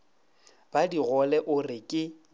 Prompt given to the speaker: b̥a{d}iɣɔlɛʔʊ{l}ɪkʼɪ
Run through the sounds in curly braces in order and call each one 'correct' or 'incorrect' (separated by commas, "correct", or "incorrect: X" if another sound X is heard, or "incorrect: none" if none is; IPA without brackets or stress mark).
correct, incorrect: r